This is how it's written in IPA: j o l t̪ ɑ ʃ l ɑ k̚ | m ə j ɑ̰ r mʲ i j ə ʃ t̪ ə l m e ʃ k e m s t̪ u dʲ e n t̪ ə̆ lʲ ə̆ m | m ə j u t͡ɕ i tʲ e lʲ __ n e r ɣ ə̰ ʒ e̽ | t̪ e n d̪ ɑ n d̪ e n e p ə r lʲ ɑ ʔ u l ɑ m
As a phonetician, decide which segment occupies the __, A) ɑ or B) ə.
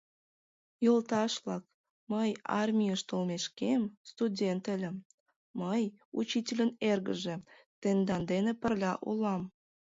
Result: B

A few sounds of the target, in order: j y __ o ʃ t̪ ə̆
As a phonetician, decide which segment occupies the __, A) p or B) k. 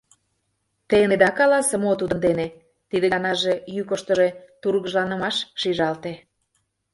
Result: B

